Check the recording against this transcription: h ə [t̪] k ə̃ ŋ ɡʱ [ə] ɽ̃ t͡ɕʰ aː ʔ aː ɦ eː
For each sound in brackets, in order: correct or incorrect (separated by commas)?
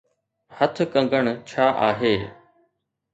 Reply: incorrect, correct